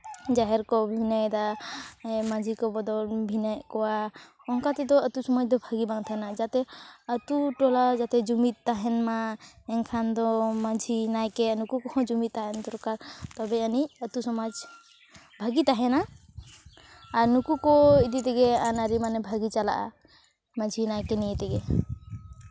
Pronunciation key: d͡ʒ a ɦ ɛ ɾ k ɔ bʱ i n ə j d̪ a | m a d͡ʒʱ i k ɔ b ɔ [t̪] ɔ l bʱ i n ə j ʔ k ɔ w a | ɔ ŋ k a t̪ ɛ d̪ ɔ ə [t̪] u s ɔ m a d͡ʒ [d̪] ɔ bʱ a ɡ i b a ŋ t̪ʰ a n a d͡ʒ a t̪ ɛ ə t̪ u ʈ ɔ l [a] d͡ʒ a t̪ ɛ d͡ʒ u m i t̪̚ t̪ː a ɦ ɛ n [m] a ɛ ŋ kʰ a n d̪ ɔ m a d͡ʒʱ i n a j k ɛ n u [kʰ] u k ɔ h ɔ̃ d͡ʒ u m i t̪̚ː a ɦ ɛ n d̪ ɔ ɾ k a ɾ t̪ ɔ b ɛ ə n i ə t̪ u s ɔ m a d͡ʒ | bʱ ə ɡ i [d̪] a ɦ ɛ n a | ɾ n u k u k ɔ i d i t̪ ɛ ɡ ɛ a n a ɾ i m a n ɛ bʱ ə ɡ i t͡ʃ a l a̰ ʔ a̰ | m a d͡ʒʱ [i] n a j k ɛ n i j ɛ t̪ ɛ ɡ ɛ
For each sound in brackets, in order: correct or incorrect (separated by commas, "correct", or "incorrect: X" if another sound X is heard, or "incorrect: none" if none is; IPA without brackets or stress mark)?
incorrect: d̪, correct, correct, correct, correct, incorrect: k, incorrect: t̪, correct